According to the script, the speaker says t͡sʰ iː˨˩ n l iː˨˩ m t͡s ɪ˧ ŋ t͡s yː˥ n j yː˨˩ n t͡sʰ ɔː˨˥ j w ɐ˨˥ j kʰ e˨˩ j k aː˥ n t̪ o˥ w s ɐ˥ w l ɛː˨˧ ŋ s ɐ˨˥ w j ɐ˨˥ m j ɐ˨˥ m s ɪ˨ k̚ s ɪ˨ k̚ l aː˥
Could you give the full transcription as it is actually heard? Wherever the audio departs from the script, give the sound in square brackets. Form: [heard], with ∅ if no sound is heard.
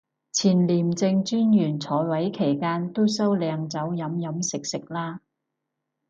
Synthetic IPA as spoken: t͡sʰ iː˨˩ n l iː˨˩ m t͡s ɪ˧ ŋ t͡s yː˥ n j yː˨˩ n t͡sʰ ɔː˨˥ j w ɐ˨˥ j kʰ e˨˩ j k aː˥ n t̪ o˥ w s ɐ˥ w l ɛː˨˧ ŋ [t͡s] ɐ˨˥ w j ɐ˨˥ m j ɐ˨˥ m s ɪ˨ k̚ s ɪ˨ k̚ l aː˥